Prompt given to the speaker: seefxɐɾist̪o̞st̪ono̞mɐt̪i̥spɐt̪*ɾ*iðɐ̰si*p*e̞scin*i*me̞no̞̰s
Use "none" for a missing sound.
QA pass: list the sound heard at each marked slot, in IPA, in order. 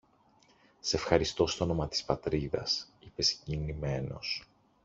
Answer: ɾ, p, i

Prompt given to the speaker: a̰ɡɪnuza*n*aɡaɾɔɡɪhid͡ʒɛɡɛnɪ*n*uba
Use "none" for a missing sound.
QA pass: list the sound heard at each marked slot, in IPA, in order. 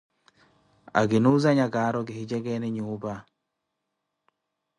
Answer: ɲ, ɲ

